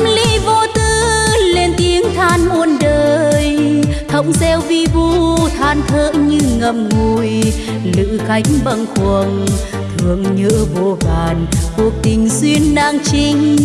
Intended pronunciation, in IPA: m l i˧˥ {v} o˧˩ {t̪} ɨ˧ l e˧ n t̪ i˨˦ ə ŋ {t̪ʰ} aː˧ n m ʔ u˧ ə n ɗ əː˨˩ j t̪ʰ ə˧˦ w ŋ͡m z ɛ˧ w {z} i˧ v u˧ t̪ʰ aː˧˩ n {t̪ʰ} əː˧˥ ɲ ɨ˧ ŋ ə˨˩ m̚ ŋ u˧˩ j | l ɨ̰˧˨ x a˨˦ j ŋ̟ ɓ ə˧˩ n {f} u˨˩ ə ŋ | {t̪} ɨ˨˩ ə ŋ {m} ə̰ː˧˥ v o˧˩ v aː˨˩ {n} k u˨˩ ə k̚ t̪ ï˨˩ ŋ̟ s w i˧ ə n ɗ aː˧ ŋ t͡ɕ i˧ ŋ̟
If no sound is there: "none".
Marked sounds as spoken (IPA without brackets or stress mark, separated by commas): v, t̪, t̪ʰ, v, t̪ʰ, x, t̪ʰ, ɲ, n